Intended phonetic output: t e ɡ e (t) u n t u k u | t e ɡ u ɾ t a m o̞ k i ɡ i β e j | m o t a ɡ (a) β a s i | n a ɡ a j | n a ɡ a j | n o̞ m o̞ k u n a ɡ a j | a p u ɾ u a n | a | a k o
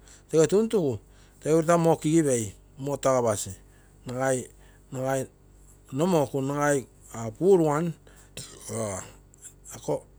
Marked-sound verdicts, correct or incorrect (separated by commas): correct, correct